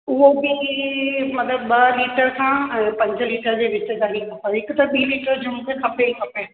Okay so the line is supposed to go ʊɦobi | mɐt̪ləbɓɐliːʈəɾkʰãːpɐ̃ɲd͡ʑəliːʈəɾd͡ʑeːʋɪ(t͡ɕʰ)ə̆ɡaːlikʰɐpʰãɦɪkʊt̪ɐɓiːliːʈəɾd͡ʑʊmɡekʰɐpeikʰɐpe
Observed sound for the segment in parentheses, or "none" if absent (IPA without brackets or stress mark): t͡ɕ